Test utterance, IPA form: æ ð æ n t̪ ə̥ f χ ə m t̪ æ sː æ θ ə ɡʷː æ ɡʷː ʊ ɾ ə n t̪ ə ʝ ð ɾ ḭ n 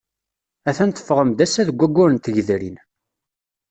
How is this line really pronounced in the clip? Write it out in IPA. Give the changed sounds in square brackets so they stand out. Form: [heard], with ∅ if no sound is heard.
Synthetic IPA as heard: æ [θ] æ n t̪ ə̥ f [ʁ] ə m [d̪] æ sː æ [ð] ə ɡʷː æ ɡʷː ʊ ɾ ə n t̪ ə ʝ ð ɾ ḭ n